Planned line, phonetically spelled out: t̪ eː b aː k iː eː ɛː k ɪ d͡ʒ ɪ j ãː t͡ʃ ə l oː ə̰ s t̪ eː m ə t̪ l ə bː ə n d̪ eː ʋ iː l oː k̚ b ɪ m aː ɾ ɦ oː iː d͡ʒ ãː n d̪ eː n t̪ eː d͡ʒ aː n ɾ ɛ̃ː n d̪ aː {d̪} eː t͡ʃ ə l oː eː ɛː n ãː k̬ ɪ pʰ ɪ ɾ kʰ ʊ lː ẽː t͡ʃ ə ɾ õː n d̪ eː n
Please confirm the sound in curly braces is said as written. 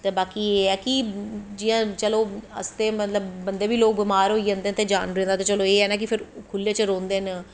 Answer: no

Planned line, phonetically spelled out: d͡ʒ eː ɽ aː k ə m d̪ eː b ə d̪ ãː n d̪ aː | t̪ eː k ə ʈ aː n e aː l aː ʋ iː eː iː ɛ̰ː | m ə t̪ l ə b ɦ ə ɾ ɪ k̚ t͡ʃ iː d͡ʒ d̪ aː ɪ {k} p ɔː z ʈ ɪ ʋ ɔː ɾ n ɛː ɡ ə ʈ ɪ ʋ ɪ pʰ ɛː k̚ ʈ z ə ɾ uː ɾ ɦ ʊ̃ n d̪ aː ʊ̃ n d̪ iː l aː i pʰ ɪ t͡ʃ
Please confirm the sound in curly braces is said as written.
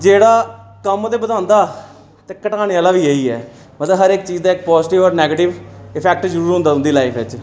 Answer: yes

